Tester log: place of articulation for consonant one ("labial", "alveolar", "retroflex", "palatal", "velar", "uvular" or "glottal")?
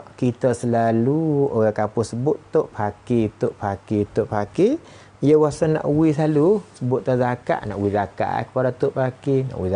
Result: velar